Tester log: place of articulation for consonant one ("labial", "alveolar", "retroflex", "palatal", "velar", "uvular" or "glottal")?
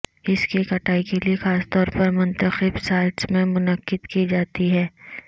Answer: alveolar